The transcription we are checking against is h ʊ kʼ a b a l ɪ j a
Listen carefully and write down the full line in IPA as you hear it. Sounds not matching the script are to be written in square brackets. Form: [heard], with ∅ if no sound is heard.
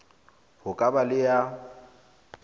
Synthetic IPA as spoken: h ʊ kʼ a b a l ɪ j a